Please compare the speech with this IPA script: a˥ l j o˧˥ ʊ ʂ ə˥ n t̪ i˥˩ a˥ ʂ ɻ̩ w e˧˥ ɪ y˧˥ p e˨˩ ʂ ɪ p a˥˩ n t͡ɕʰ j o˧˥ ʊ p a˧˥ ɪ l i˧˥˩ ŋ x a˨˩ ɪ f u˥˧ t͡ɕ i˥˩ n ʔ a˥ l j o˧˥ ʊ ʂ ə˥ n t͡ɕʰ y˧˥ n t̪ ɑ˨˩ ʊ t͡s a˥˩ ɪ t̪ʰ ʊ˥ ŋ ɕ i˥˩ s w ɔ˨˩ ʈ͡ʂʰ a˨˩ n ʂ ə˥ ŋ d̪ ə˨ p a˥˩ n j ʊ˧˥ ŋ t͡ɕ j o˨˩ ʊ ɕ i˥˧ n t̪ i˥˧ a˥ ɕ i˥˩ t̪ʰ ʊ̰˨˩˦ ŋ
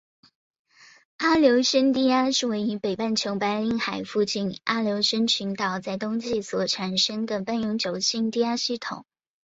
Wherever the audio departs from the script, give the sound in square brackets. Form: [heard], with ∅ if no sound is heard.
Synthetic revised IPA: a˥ l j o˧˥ ʊ ʂ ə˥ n t̪ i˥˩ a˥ ʂ ɻ̩ w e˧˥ ɪ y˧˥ p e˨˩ [∅] ɪ p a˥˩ n t͡ɕʰ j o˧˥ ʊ p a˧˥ ɪ l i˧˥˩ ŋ x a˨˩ ɪ f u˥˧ t͡ɕ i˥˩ n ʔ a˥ l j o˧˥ ʊ ʂ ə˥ n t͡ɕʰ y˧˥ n t̪ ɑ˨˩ ʊ t͡s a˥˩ ɪ [t̪] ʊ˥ ŋ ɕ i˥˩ s w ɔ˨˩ ʈ͡ʂʰ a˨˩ n ʂ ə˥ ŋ d̪ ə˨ p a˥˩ n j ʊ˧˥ ŋ t͡ɕ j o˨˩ ʊ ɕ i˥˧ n t̪ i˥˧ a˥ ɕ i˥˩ t̪ʰ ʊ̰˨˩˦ ŋ